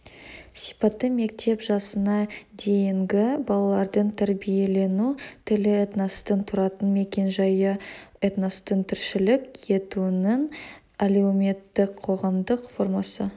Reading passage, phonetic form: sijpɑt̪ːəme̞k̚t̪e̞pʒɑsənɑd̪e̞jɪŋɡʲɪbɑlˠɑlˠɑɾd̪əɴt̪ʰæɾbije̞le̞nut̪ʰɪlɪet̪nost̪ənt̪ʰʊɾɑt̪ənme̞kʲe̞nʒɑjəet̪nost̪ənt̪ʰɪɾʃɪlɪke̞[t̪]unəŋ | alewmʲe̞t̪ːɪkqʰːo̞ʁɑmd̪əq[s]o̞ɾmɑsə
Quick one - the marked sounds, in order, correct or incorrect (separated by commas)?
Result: correct, incorrect